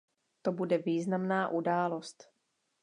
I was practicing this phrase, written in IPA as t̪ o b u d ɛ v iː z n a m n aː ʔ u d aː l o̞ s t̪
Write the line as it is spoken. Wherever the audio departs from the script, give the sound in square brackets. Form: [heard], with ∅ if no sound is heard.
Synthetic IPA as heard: t̪ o b u d ɛ v iː z n a m n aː ʔ u d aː l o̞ s t̪